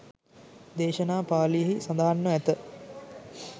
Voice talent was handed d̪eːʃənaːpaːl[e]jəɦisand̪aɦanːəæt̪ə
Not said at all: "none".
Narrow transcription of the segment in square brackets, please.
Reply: i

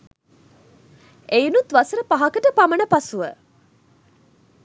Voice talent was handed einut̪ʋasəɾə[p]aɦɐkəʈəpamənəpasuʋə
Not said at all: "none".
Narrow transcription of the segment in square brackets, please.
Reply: p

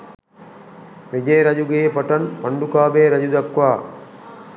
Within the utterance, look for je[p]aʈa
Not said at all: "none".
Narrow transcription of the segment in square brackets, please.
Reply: p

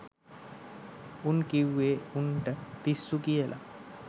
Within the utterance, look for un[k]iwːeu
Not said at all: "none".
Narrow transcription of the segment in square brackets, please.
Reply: k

